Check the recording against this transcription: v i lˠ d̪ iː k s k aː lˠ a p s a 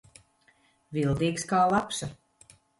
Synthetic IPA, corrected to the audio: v i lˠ d̪ iː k s k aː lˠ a p s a